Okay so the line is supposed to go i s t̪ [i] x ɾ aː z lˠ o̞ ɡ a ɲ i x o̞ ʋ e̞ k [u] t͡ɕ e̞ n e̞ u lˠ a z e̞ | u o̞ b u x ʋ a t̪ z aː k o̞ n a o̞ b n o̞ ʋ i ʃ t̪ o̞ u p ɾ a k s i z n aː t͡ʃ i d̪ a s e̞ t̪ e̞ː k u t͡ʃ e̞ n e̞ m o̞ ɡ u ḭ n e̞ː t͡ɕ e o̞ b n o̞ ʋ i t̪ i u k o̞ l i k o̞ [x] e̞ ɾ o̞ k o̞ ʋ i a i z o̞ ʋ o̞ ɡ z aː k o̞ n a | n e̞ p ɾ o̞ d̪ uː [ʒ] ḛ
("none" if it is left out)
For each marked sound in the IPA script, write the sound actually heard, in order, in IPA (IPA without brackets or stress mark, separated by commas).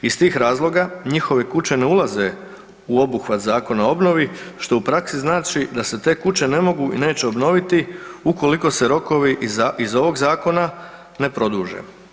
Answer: iː, u, s, ʒ